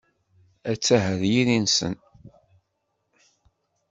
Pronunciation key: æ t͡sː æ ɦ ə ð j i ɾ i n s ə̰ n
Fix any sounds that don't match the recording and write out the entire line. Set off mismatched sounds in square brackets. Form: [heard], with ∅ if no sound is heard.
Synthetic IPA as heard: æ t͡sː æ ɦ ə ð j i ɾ i n s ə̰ n